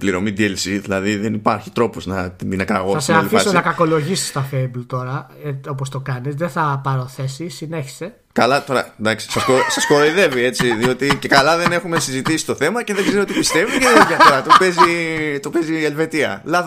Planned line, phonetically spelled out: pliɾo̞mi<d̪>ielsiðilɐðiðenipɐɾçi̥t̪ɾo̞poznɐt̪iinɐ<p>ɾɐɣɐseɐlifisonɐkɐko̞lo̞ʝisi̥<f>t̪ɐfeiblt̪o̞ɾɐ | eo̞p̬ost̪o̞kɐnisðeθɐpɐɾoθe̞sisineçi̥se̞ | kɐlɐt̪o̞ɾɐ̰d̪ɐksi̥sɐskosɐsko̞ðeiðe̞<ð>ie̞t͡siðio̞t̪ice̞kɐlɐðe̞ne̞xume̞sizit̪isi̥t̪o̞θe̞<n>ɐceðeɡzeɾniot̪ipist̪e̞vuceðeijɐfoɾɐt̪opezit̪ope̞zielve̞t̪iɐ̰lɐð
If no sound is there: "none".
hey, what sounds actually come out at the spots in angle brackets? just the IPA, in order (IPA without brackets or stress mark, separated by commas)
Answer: d̪, k, s, v, m